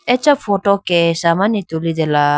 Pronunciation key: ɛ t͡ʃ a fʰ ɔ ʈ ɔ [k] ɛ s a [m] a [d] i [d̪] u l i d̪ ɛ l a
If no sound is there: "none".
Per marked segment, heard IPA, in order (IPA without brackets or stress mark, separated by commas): k, m, n, t̪